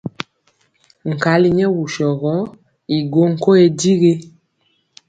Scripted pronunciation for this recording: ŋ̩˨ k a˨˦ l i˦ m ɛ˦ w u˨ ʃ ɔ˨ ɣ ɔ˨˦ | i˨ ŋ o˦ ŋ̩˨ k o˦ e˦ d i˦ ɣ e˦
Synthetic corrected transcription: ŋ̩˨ k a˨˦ l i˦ ɲ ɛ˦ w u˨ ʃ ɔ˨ ɣ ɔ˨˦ | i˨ ɡ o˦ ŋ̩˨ k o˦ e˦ d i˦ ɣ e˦